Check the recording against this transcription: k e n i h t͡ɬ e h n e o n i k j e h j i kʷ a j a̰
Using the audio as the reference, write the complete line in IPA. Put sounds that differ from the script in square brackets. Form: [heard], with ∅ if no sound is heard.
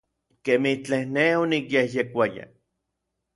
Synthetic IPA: k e [m] i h t͡ɬ e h n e o n i k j e h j [e] kʷ a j a̰

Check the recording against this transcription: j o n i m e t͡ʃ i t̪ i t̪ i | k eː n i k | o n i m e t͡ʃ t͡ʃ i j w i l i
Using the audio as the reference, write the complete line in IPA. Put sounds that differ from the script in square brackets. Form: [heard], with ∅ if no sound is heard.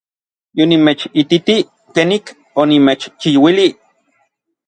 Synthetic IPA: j o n i m e t͡ʃ i t̪ i t̪ i | k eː n i k | o n i m e t͡ʃ t͡ʃ i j w i l i

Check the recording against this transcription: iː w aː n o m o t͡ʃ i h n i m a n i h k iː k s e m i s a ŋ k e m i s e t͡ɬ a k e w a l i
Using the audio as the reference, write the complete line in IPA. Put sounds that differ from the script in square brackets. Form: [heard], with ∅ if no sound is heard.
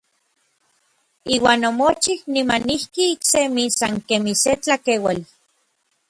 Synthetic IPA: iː w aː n o m o t͡ʃ i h n i m a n i h k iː k s e m i s a ŋ k e m i s e t͡ɬ a k e w a l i

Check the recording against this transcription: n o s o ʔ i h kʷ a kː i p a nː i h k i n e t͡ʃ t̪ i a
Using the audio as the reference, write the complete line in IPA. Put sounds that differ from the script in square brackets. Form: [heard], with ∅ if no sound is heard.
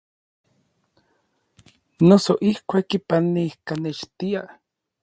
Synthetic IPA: n o s o ʔ i h kʷ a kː i p a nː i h k [a] n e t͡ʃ t̪ i a

